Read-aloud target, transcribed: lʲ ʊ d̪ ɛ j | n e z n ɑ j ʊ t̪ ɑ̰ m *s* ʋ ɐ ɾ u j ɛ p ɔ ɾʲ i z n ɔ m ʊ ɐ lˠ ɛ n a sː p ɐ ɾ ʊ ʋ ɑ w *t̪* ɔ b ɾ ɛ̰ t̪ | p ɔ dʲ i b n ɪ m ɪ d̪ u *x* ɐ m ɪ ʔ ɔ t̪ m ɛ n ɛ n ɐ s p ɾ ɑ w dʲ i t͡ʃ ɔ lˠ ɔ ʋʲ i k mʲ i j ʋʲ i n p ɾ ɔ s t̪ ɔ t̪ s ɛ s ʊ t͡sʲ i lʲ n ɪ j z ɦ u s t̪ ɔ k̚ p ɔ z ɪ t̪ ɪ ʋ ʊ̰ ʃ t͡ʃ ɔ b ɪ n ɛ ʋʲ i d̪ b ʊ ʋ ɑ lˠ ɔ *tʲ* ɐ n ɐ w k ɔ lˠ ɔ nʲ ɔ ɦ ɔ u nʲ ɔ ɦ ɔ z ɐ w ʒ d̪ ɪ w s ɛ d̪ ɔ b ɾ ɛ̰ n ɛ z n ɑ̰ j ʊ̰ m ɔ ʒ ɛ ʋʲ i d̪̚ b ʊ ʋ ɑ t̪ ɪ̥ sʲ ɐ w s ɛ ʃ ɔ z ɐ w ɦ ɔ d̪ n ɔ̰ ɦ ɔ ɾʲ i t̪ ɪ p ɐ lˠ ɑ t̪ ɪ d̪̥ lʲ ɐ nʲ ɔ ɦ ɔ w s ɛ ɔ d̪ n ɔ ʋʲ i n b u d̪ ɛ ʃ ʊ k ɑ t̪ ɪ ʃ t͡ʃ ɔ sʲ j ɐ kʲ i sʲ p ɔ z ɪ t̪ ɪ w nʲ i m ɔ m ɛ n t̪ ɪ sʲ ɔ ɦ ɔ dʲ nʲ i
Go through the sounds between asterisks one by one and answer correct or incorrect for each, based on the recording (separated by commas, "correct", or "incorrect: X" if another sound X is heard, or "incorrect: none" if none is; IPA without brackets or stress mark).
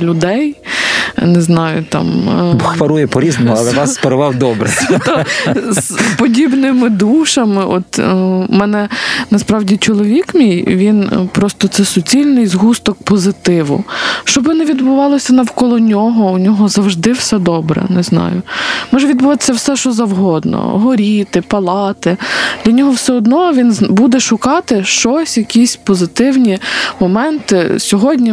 incorrect: x, incorrect: d̪, incorrect: ʃ, incorrect: sʲ